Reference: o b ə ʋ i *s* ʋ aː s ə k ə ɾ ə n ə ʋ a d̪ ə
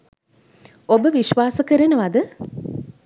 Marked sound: incorrect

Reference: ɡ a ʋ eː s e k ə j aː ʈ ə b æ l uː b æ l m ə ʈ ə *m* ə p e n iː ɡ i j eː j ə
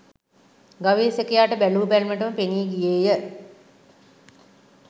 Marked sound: correct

